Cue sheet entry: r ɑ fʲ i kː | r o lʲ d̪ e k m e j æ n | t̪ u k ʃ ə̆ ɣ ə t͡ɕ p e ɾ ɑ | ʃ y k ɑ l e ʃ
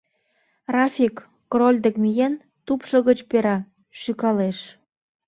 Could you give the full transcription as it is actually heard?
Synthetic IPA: r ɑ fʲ i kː | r o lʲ d̪ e k m i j e n | t̪ u p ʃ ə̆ ɣ ə t͡ɕ p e ɾ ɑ | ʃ y k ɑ l e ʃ